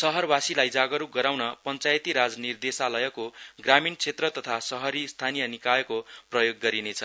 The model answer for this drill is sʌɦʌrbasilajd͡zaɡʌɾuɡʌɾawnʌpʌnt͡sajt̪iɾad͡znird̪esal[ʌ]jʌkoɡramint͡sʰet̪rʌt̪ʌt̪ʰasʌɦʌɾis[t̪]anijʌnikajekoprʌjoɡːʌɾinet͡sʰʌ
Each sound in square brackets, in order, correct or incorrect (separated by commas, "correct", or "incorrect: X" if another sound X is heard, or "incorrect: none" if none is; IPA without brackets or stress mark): correct, incorrect: t̪ʰ